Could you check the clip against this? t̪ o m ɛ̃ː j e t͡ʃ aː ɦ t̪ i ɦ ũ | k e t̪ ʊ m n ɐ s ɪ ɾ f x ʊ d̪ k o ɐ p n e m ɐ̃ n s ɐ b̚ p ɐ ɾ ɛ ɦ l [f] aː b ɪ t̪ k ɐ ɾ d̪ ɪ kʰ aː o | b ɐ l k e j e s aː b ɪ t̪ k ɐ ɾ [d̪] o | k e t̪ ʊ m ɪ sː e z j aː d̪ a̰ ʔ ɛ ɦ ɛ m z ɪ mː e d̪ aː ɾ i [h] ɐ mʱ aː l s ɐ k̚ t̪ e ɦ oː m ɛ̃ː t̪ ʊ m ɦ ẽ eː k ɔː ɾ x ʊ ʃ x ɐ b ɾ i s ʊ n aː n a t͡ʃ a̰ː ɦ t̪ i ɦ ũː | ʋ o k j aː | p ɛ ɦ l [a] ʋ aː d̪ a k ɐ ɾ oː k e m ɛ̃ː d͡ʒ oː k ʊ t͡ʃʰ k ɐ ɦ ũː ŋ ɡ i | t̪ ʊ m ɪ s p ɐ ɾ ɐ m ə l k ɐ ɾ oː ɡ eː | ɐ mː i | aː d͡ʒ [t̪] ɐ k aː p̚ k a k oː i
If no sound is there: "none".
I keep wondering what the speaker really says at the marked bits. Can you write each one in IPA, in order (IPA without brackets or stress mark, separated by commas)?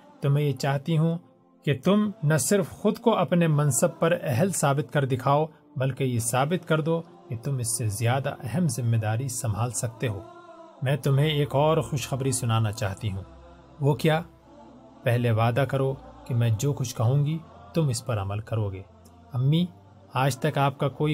s, d̪, s, e, t̪